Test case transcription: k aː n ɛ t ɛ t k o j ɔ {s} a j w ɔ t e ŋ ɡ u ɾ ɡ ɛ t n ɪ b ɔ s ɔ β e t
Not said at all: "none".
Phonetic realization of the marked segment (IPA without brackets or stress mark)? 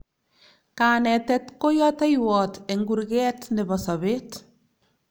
t